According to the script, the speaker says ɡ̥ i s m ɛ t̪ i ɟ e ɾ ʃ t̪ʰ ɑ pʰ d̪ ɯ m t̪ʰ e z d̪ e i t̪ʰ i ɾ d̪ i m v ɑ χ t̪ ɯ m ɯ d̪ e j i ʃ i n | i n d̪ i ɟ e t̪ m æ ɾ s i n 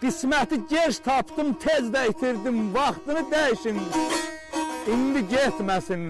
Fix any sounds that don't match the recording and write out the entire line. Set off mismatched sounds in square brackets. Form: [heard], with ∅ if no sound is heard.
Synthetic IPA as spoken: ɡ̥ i s m [æ] t̪ i ɟ e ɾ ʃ t̪ʰ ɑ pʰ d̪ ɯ m t̪ʰ e z d̪ [æ] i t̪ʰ i ɾ d̪ i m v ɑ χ t̪ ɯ [n] ɯ d̪ [æ] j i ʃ i n | i n d̪ i ɟ e t̪ m æ [∅] s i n